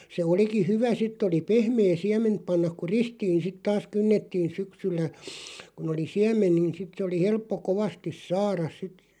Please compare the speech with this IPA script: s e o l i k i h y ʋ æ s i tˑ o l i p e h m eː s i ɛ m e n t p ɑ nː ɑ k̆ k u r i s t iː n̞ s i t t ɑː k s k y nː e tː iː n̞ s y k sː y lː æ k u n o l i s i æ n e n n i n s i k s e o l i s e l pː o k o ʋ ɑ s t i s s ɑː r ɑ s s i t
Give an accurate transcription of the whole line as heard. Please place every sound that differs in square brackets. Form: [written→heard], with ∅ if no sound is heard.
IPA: s e o l i k i h y ʋ æ s i tˑ o l i p e h m eː s i ɛ m e n t p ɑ nː ɑ k̆ k u r i s t iː n̞ s i t t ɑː [k→∅] s k y nː e tː iː n̞ s y k [sː→s] y lː æ k u n o l i s i æ [n→m] e n n i n s i [k→t] s e o l i [s→h] e l pː o k o ʋ ɑ s t i s s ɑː r ɑ s s i t